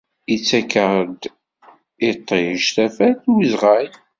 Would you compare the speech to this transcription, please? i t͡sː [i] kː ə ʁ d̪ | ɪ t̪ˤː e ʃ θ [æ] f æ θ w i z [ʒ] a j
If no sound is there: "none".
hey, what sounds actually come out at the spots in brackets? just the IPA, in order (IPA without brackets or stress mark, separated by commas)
æ, æ, ʁ